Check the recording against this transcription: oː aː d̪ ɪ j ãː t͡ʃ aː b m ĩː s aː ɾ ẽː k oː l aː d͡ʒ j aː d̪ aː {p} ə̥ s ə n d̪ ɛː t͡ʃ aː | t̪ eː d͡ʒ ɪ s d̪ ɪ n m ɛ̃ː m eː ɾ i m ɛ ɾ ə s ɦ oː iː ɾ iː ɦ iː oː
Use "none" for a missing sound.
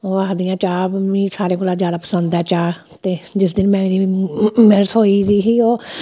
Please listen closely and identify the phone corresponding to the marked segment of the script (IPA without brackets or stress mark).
p